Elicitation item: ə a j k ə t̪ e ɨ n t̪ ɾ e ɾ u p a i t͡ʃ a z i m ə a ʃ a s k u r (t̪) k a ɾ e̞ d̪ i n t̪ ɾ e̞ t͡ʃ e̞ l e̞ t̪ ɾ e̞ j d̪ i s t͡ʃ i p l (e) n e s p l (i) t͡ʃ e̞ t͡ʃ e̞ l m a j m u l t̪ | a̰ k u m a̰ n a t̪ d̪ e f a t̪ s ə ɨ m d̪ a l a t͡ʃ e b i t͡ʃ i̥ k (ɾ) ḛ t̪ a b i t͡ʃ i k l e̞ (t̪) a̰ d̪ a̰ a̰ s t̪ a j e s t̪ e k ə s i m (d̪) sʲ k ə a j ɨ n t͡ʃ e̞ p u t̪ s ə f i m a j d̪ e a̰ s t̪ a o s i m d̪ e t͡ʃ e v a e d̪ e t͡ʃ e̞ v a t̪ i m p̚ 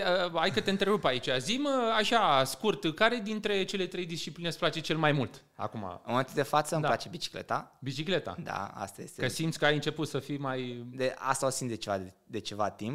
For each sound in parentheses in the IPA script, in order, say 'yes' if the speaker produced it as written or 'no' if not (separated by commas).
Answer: yes, no, no, no, yes, no